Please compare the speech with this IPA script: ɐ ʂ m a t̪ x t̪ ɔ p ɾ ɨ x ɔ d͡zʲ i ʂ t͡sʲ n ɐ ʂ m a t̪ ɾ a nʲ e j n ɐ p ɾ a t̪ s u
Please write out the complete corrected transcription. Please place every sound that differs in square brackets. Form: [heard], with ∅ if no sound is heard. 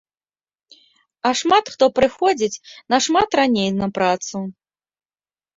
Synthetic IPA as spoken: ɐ ʂ m a t̪ x t̪ ɔ p ɾ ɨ x ɔ d͡zʲ i [∅] t͡sʲ n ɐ ʂ m a t̪ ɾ a nʲ e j n ɐ p ɾ a t̪ s u